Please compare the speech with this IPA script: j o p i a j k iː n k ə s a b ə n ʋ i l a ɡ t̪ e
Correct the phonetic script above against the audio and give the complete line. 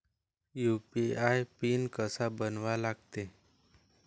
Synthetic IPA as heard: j u p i a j p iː n k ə s a b ə n ʋ a l a ɡ t̪ e